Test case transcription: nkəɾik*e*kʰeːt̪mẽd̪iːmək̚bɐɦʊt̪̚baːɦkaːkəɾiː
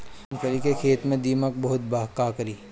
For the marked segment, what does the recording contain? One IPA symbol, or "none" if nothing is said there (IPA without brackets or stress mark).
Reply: e